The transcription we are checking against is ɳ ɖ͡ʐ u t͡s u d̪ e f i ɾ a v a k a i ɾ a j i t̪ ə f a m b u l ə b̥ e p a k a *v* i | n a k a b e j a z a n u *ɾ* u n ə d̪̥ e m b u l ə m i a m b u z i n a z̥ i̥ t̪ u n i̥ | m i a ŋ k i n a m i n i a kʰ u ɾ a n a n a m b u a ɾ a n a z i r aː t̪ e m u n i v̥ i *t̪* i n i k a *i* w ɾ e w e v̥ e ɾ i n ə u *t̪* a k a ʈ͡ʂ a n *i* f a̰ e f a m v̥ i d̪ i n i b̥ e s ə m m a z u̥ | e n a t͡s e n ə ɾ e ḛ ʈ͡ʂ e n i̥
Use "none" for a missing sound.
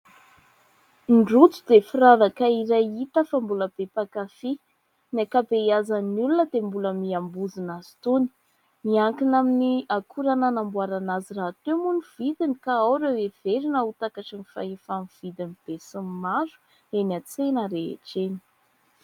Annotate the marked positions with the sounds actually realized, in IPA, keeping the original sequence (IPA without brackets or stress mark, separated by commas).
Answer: f, l, d̪, a, t̪, i